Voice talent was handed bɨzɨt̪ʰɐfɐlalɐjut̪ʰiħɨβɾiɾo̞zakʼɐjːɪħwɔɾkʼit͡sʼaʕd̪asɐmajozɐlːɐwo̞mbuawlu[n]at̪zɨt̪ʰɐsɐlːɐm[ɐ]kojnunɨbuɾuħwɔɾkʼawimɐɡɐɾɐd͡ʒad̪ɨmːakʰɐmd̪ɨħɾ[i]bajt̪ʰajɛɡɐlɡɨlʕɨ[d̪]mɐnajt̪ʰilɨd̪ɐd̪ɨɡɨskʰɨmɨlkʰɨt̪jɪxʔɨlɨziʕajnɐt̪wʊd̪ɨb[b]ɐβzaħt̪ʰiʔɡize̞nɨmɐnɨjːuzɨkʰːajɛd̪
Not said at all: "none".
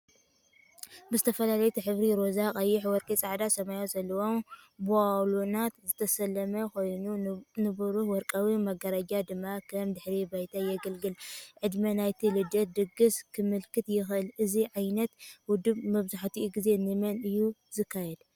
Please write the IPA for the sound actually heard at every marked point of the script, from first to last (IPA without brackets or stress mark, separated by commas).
n, ɐ, i, d̪, m